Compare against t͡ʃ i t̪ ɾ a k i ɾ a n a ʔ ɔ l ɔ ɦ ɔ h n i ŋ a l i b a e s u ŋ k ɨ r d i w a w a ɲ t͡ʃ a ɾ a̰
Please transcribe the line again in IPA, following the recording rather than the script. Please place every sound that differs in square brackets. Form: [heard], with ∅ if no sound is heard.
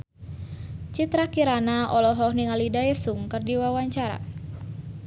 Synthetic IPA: t͡ʃ i t̪ ɾ a k i ɾ a n a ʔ ɔ l ɔ ɦ ɔ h n i ŋ a l i [d] a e s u ŋ k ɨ r d i w a w a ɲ t͡ʃ a ɾ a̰